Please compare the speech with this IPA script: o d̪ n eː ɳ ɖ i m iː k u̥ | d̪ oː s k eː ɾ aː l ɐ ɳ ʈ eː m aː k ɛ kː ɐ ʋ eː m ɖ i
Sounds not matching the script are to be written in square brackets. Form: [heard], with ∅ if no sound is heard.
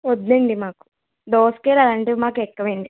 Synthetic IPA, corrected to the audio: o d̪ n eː ɳ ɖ i m [aː] k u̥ | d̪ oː s k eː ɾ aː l ɐ ɳ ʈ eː m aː k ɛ kː ɐ ʋ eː [ɳ] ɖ i